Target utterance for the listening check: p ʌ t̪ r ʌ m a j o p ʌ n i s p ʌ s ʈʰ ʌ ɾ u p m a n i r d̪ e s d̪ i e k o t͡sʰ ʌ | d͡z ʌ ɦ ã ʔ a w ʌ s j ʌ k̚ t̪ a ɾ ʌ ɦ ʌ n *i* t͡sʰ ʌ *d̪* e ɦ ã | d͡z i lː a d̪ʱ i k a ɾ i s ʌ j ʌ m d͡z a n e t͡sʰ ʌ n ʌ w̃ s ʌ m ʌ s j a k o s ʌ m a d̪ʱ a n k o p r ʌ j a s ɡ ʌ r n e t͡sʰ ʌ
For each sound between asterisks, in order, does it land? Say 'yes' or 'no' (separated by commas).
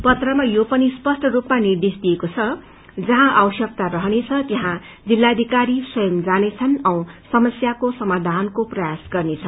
no, no